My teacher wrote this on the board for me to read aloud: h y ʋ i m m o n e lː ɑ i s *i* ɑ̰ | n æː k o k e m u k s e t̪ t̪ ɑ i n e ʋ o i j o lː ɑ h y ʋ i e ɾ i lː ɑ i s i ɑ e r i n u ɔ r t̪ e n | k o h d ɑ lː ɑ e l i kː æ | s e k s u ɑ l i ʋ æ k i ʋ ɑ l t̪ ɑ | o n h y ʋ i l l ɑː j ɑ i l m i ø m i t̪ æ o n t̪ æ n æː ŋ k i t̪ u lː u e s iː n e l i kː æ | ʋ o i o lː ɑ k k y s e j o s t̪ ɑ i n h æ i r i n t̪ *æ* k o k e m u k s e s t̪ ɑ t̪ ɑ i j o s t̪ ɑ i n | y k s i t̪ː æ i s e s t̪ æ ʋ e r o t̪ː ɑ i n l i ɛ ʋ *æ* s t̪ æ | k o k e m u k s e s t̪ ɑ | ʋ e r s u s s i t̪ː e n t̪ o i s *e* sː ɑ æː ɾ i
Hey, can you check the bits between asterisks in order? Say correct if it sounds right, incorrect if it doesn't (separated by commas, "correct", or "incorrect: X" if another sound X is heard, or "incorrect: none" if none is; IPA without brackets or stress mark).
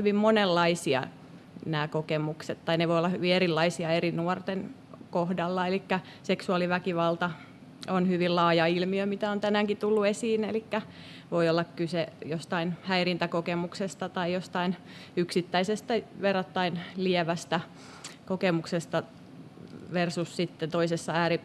correct, correct, correct, correct